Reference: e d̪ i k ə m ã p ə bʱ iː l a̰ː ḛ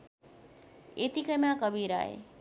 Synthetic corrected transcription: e t̪ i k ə m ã k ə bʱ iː ɾ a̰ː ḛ